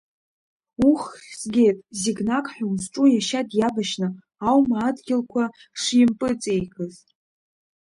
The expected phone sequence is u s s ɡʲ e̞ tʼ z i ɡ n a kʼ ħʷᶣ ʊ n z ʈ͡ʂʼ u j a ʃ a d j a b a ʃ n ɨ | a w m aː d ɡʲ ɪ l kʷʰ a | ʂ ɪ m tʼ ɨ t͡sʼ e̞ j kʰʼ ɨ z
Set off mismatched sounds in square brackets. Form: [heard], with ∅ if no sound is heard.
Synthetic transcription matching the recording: u [χ] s ɡʲ e̞ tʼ z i ɡ n a kʼ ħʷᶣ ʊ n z ʈ͡ʂʼ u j a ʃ a d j a b a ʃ n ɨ | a w m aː d ɡʲ ɪ l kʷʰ a | ʂ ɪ m [pʼ] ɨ t͡sʼ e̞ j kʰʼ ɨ z